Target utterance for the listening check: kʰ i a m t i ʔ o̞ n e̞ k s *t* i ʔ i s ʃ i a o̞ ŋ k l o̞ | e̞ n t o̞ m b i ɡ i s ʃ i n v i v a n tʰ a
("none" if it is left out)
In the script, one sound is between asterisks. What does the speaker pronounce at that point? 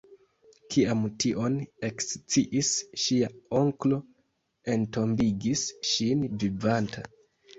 t͡s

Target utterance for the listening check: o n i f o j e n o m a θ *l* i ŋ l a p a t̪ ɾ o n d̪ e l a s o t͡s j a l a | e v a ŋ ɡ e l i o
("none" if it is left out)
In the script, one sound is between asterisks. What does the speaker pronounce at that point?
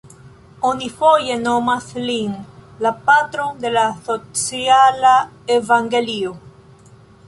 l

